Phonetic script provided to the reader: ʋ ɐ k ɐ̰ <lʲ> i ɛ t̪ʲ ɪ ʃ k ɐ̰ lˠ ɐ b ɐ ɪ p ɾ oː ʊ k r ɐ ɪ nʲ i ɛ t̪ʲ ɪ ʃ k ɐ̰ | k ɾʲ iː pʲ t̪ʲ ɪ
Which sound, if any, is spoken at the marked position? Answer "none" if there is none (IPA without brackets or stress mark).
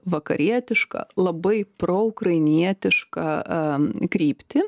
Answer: ɾʲ